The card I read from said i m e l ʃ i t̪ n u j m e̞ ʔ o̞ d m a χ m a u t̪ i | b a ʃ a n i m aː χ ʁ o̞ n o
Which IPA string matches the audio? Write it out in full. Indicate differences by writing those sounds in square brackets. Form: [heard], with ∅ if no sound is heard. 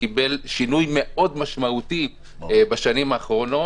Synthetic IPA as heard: i [b] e l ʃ i [∅] n u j m e̞ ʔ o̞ d m a [ʃ] m a u t̪ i | b a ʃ a n i m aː χ ʁ o̞ n o